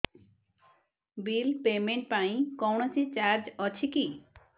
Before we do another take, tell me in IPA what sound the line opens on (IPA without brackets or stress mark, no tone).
b